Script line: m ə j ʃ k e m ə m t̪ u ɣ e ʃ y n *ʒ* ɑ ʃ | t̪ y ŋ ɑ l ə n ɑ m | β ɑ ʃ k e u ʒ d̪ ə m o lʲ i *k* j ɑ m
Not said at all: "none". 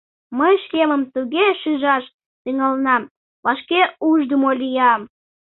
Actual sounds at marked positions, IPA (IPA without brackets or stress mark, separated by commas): ʒ, none